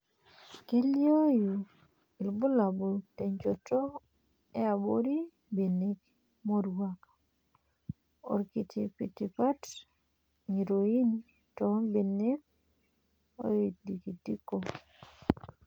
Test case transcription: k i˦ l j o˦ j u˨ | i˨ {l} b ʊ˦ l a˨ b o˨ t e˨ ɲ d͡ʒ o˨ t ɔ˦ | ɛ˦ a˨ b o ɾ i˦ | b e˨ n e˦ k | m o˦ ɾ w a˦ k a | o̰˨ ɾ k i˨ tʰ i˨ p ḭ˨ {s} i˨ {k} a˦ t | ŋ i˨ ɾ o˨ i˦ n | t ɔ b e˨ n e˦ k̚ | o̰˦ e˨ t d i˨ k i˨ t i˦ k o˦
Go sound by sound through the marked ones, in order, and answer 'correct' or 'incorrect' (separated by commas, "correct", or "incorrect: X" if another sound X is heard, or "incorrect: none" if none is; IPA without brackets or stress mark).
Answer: correct, incorrect: t, incorrect: p